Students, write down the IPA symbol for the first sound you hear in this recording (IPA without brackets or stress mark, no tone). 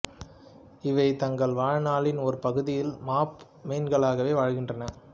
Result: ɪ